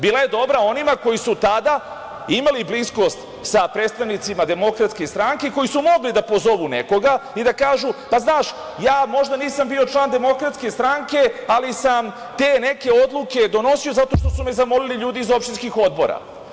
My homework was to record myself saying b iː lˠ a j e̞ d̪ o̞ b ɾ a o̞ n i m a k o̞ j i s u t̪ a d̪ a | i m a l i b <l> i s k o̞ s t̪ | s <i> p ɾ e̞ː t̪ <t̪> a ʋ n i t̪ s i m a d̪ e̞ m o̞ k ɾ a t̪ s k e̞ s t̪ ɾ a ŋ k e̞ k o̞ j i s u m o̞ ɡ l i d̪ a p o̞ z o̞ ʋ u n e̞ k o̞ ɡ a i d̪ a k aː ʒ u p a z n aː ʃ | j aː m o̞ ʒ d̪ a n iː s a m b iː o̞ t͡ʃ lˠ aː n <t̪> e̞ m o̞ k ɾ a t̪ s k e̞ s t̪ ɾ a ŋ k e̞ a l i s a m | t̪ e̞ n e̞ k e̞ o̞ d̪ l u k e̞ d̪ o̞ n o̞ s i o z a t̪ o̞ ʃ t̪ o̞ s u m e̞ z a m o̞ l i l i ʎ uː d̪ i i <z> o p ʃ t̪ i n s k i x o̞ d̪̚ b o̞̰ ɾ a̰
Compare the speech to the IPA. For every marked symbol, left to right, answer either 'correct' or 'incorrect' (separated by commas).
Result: correct, incorrect, correct, incorrect, correct